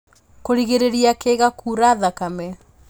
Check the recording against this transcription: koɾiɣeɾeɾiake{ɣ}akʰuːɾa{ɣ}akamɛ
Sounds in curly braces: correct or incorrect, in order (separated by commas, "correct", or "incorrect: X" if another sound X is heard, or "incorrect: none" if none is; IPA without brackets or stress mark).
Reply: correct, incorrect: ð